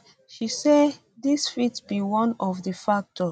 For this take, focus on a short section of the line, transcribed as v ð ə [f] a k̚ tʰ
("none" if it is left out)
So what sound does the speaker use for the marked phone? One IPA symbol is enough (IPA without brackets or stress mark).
f